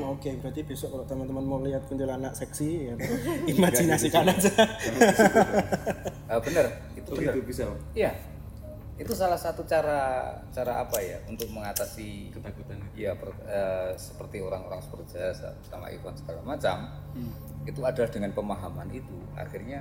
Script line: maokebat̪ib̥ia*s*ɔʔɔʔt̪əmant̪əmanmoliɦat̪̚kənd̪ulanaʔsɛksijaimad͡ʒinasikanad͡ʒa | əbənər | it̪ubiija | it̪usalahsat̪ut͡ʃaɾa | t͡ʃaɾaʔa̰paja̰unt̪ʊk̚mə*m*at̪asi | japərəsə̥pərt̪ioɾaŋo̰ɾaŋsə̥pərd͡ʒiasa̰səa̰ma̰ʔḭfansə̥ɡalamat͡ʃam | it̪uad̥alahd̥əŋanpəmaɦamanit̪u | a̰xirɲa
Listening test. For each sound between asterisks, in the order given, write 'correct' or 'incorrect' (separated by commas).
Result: correct, incorrect